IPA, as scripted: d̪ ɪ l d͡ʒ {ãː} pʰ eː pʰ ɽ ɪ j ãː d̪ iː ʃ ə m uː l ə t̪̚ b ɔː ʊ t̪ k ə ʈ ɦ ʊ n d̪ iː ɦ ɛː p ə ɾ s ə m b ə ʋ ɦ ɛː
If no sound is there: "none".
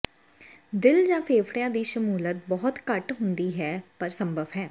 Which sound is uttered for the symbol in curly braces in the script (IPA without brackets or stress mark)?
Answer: ãː